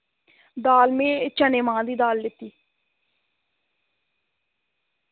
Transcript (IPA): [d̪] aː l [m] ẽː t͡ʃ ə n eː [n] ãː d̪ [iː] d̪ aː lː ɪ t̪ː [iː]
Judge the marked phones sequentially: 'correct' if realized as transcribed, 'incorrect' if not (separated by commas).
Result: correct, correct, incorrect, correct, correct